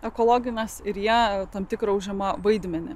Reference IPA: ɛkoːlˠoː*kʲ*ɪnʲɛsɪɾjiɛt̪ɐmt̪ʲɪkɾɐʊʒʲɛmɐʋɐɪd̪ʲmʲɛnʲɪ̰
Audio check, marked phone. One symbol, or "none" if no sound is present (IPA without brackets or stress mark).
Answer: ɡʲ